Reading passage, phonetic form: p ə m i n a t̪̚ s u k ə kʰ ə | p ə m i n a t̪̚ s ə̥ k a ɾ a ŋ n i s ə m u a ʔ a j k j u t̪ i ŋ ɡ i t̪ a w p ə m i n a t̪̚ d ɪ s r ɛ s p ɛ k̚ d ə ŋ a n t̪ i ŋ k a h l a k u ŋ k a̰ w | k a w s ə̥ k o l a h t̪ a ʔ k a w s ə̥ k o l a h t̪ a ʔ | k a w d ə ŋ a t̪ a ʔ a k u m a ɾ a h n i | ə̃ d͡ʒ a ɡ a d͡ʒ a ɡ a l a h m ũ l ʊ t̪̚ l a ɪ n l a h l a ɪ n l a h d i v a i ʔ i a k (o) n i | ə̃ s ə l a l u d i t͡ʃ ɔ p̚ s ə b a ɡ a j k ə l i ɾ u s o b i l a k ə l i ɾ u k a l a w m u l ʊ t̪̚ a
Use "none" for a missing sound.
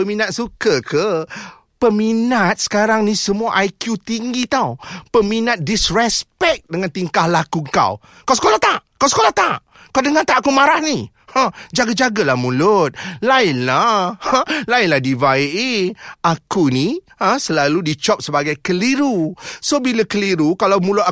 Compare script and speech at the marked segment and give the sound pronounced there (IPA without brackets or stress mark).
u